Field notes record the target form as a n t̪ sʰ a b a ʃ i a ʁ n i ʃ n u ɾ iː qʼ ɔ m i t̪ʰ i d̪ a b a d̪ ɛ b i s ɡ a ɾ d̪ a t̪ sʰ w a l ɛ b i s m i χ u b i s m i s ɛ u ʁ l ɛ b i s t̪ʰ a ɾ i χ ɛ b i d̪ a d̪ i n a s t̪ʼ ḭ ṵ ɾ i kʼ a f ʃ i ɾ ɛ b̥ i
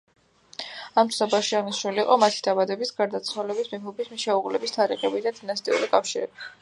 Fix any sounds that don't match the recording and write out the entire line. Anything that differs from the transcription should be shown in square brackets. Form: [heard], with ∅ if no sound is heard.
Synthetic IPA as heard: a [m] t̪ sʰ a b a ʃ i a ʁ n i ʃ n u [l] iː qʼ ɔ m [a] t̪ʰ i d̪ a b a d̪ ɛ b i s ɡ a ɾ d̪ a t̪ sʰ w a l ɛ b i s m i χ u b i s m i [ʃ] ɛ u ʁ l ɛ b i s t̪ʰ a ɾ i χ ɛ b i d̪ a d̪ i n a s t̪ʼ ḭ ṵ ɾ i kʼ a f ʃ i ɾ ɛ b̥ i